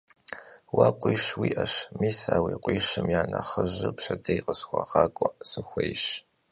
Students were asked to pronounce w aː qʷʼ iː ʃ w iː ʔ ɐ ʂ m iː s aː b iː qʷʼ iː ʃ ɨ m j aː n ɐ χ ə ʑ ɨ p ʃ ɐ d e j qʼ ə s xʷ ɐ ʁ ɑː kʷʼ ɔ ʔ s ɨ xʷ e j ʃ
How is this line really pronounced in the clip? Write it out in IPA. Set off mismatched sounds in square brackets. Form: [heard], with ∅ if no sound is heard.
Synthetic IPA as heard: w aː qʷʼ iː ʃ w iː ʔ ɐ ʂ m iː s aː [w] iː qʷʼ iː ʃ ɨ m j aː n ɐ χ ə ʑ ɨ p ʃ ɐ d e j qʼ ə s xʷ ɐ ʁ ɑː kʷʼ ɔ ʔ s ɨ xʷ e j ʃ